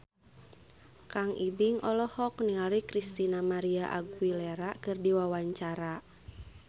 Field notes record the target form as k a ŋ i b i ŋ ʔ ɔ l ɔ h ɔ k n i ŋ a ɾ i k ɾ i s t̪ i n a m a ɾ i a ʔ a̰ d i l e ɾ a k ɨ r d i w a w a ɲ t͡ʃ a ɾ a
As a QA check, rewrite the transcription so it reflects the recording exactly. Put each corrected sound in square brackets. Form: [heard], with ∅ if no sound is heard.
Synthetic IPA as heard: k a ŋ i b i ŋ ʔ ɔ l ɔ h ɔ k n i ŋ a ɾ i k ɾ i s t̪ i n a m a ɾ i a ʔ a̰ [ɡ] i l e ɾ a k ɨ r d i w a w a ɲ t͡ʃ a ɾ a